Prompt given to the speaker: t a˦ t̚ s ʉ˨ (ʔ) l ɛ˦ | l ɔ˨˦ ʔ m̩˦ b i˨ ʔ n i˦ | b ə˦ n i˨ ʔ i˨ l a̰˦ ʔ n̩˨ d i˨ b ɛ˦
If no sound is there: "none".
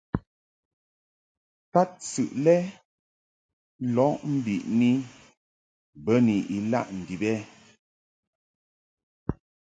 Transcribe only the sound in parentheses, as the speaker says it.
ʔ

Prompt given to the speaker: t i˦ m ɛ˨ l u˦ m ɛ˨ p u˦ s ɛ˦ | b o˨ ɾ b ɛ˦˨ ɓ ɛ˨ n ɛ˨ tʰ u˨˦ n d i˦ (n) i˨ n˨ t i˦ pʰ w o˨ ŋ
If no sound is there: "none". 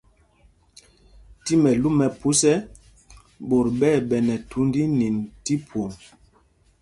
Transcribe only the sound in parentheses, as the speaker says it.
n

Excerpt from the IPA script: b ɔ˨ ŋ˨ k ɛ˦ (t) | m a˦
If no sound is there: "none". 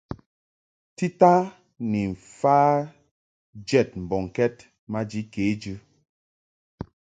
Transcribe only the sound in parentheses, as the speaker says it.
t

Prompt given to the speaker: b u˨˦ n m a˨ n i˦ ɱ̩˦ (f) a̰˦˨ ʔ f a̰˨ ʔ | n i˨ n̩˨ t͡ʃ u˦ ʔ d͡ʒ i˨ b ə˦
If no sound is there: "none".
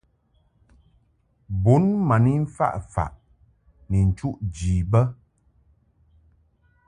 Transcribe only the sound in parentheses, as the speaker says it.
f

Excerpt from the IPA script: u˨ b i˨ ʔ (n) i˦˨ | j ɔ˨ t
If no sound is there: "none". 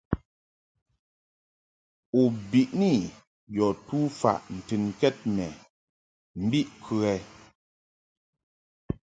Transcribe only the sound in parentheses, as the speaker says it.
n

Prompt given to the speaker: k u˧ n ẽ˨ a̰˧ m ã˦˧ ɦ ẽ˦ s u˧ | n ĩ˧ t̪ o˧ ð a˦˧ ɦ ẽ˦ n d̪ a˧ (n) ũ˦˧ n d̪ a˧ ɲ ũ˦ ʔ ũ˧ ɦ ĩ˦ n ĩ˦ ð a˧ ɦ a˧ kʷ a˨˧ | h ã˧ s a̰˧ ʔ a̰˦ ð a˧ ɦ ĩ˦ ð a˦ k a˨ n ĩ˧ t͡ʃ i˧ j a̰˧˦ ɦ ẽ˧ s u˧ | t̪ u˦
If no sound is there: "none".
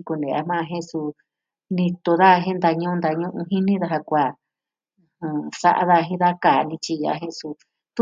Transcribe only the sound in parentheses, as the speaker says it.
ɲ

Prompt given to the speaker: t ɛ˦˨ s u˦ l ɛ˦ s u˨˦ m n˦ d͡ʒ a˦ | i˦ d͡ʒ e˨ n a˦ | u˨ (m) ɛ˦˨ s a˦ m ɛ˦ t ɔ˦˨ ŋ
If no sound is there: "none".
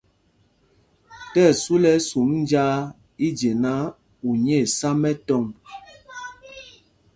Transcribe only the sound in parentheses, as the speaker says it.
ɲ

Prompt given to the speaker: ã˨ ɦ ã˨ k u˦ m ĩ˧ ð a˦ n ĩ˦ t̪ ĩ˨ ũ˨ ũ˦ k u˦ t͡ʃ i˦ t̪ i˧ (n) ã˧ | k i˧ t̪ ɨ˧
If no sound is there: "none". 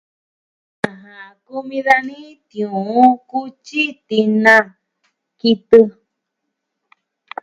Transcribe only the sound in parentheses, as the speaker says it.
n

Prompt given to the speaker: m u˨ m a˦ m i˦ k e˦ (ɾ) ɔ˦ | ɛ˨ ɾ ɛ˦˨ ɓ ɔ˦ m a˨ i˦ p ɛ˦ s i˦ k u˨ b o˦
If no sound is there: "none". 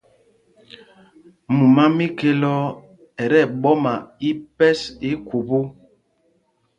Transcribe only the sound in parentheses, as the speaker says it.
l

